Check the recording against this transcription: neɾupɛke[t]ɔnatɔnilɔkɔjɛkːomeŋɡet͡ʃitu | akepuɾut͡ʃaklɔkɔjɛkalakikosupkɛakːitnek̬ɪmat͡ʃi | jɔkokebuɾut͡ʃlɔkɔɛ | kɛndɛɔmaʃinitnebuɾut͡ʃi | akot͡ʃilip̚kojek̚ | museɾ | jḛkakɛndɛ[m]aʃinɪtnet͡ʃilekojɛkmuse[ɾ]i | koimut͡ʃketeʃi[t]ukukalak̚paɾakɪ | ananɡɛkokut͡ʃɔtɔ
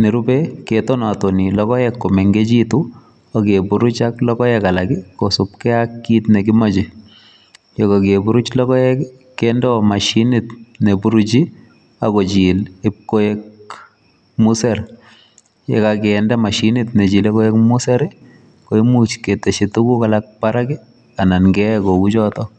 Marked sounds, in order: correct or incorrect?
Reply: correct, correct, correct, correct

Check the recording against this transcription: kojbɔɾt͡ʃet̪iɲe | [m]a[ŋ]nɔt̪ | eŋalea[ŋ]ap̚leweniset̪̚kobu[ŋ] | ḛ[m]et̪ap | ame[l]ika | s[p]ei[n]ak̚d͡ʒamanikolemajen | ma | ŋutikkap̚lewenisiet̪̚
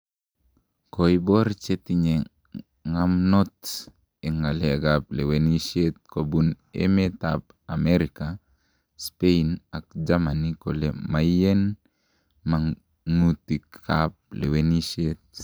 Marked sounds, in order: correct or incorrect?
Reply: incorrect: ŋ, incorrect: m, incorrect: ɡ, incorrect: n, correct, incorrect: ɾ, correct, correct

